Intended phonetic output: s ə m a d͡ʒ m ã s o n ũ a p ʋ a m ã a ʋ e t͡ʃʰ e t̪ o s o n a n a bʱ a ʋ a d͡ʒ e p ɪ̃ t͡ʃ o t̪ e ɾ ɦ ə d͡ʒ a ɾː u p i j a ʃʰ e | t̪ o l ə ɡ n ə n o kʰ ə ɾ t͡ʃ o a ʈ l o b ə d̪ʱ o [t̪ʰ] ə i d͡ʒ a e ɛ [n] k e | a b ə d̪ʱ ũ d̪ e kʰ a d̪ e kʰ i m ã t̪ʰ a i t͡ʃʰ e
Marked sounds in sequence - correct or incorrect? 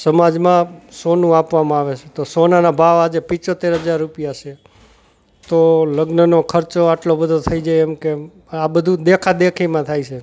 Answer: correct, incorrect: m

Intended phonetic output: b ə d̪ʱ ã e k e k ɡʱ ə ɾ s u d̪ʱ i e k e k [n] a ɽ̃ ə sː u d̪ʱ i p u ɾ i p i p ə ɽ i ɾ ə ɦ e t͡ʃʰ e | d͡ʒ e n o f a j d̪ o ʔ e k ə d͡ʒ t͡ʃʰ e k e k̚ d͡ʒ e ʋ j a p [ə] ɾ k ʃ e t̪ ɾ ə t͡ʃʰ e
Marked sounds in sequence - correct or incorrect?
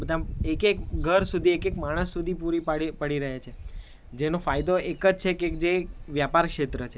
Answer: incorrect: m, incorrect: a

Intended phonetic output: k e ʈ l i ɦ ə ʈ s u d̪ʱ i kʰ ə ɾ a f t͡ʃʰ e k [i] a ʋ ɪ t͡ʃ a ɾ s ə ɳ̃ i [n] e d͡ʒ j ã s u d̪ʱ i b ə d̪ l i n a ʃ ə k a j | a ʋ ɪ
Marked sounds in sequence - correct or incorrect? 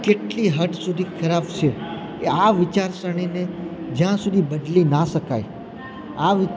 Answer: incorrect: e, correct

